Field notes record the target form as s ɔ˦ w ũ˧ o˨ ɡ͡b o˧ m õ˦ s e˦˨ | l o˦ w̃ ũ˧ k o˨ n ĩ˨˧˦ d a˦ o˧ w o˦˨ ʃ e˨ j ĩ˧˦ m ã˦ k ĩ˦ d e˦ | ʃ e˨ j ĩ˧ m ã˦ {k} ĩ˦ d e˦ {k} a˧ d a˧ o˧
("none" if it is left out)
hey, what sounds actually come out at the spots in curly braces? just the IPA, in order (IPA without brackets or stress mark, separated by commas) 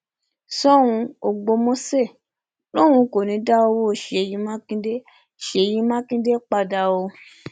k, k͡p